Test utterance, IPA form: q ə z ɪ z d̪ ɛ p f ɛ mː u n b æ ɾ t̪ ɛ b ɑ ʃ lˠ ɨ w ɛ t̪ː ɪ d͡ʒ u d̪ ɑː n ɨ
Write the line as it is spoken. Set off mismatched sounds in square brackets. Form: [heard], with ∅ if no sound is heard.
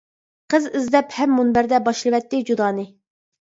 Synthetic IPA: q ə z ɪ z d̪ ɛ p [h] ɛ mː u n b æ ɾ [d̪] ɛ b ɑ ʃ lˠ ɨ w ɛ t̪ː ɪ d͡ʒ u d̪ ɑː n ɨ